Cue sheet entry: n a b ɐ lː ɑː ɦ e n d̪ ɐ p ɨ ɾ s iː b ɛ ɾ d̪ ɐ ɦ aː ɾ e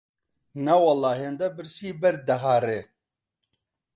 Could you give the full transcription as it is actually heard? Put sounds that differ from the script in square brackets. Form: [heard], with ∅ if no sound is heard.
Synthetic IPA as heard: n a [w] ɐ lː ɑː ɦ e n d̪ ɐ [b] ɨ ɾ s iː b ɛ ɾ d̪ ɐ ɦ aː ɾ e